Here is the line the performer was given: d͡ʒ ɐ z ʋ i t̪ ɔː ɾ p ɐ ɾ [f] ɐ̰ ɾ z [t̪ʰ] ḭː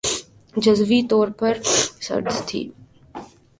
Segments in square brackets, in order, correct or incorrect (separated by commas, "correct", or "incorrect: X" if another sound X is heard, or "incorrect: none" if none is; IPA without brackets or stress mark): incorrect: s, correct